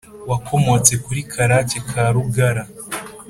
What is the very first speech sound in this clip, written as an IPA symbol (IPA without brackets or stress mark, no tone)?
w